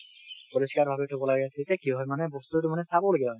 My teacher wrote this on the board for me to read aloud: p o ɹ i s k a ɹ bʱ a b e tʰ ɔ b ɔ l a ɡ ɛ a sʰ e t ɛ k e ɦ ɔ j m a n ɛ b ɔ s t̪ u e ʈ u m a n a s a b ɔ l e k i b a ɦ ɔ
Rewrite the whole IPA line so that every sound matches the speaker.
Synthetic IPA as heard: p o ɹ i s k a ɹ bʱ a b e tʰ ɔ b ɔ l a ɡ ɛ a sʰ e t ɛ k i ɦ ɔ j m a n ɛ b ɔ s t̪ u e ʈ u m a n ɛ s a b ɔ l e ɡ i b a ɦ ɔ